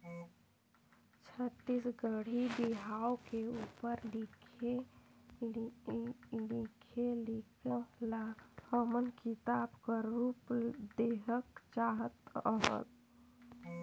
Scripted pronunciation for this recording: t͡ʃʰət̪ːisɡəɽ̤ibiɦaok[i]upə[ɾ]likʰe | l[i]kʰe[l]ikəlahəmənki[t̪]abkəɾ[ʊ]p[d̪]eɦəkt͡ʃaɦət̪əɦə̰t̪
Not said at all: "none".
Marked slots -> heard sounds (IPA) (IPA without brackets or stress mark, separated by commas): e, ɾ, i, l, t̪, u, d̪